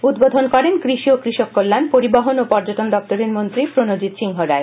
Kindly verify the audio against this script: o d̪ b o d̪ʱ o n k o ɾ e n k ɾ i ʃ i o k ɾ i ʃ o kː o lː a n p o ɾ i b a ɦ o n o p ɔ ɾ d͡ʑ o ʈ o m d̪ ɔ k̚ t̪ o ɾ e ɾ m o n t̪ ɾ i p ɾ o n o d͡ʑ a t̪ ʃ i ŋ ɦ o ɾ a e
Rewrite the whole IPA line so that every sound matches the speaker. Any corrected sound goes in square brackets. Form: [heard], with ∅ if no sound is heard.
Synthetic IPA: [u] d̪ b o d̪ʱ o n k [ɔ] ɾ e n k ɾ i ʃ i o k ɾ i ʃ o kː o lː a n p o ɾ i b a ɦ o n o p ɔ ɾ d͡ʑ o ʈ o [n] d̪ ɔ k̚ t̪ o ɾ e ɾ m o n t̪ ɾ i p ɾ o n o d͡ʑ [i] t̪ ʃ i ŋ ɦ o ɾ a e

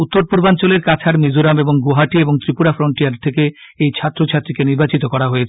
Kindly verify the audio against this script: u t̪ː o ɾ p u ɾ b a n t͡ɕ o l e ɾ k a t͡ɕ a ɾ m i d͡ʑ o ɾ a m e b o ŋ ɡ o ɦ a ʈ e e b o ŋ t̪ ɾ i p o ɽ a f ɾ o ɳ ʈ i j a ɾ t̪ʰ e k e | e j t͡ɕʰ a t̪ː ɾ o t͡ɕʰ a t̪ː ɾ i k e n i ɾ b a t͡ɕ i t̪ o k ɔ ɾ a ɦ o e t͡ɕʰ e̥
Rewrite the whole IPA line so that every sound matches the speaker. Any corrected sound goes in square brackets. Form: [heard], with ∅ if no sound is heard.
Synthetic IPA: u t̪ː o ɾ p u ɾ b a n t͡ɕ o l e ɾ k a [t͡ɕʰ] a ɾ m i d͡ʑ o ɾ a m e b o ŋ ɡ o ɦ a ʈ [i] e b o ŋ t̪ ɾ i p [u] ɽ a f ɾ o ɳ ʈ i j a ɾ t̪ʰ e k e | e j t͡ɕʰ a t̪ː ɾ o t͡ɕʰ a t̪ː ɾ i k e n i ɾ b a t͡ɕ i t̪ o k ɔ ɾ a ɦ o e t͡ɕʰ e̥

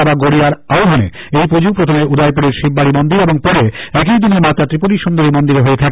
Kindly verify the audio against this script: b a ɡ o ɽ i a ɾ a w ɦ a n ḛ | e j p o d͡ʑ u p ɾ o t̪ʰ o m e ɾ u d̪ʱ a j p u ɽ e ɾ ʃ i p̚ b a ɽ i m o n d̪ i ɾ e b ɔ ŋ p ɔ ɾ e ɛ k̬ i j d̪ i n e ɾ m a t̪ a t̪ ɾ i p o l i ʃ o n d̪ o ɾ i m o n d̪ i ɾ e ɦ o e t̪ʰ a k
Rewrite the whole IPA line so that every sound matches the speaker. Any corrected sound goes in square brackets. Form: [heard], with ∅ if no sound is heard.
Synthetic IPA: b a ɡ o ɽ i a ɾ a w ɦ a n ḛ | e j p o d͡ʑ u p ɾ o t̪ʰ o m e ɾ u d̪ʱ a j p u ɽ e ɾ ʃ i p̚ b a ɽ i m o n d̪ i ɾ e b [o] ŋ p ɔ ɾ e ɛ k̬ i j d̪ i n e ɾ m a t̪ a t̪ ɾ i p o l i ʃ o n d̪ o ɾ i m o n d̪ i ɾ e ɦ o e t̪ʰ a k

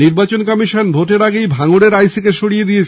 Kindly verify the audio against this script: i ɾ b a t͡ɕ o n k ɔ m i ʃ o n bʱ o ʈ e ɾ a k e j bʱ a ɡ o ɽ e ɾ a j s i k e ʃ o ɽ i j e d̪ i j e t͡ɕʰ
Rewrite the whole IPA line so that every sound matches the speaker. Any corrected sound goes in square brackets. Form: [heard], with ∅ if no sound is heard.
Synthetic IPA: i ɾ b a t͡ɕ o n k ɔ m i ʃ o n bʱ o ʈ e ɾ a [ɡ] e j bʱ a [ŋ] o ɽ e ɾ a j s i k e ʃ o ɽ i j e d̪ i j e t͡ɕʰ

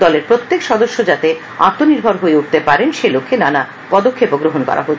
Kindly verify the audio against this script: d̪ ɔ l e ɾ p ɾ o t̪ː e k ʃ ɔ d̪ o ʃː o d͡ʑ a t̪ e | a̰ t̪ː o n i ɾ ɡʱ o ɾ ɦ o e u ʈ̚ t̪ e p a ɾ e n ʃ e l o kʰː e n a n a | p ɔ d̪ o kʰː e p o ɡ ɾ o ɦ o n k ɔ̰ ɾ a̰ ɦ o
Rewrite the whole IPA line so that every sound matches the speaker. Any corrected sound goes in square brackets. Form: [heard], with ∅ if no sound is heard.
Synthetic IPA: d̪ ɔ l e ɾ p ɾ o t̪ː e k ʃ ɔ d̪ o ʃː o d͡ʑ a t̪ e | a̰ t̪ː o n i ɾ [bʱ] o ɾ ɦ o e u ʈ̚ t̪ e p a ɾ e n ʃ e l o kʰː e n a n a | p ɔ d̪ o kʰː e p o ɡ ɾ o ɦ o n k ɔ̰ ɾ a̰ ɦ o

